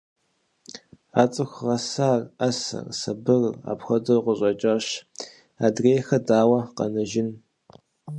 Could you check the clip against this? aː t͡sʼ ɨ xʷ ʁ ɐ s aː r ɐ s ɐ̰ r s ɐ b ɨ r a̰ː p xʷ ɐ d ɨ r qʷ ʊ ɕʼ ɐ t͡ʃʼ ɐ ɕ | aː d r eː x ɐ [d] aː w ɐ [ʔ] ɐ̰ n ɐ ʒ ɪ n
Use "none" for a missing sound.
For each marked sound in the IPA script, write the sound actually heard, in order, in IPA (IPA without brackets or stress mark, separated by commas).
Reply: d, q